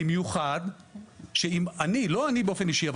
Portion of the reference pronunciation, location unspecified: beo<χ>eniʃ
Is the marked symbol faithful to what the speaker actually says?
no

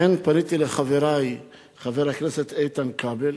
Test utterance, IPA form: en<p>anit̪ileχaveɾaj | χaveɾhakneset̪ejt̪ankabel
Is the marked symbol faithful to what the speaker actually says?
yes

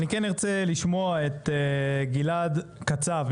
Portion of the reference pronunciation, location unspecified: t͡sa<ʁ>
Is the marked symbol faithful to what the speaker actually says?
no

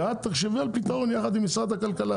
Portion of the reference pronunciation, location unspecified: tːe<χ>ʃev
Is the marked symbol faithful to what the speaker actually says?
yes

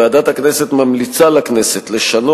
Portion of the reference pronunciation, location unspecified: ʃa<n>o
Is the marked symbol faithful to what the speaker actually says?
yes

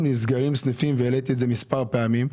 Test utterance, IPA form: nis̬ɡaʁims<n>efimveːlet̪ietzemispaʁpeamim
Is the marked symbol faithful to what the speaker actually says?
yes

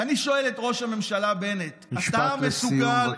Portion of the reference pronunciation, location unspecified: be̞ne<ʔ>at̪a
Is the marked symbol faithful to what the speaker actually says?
no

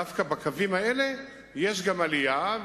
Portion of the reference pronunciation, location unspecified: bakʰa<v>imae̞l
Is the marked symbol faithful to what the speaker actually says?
yes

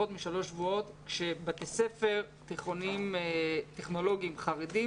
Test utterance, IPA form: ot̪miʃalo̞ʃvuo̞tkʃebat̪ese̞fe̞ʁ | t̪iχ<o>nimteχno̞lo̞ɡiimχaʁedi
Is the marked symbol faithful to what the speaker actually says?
yes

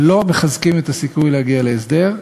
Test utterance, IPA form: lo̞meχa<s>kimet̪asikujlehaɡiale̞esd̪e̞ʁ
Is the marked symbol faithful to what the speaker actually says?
no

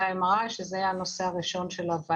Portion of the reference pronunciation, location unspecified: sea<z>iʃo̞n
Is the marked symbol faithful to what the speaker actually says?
no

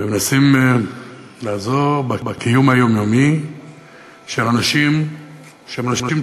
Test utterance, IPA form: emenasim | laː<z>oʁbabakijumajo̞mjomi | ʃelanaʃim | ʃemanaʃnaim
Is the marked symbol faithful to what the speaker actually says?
yes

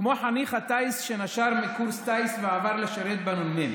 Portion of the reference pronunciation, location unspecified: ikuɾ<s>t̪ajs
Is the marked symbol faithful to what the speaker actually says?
yes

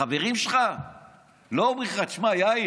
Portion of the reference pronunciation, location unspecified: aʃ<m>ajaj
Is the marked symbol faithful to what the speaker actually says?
yes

